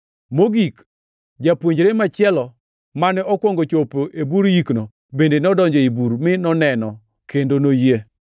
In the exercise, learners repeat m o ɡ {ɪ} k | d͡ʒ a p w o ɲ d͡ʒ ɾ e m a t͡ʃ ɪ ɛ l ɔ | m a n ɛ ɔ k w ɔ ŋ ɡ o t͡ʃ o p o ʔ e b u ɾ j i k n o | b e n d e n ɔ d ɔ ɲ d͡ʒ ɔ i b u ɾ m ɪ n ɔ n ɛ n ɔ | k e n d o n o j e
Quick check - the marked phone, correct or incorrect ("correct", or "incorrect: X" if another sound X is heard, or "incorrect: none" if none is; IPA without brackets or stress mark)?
incorrect: i